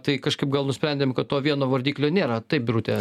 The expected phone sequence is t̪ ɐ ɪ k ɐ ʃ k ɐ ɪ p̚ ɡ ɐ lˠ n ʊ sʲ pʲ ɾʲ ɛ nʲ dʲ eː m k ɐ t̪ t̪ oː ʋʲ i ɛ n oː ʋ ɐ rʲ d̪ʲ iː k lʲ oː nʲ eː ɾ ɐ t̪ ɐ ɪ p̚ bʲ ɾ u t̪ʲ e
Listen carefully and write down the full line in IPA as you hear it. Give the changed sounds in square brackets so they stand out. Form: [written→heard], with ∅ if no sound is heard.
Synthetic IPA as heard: t̪ ɐ ɪ k ɐ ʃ k ɐ ɪ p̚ ɡ ɐ lˠ n ʊ sʲ pʲ ɾʲ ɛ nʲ dʲ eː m k ɐ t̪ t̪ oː ʋʲ i ɛ n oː ʋ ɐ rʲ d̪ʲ iː k lʲ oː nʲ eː ɾ ɐ t̪ ɐ ɪ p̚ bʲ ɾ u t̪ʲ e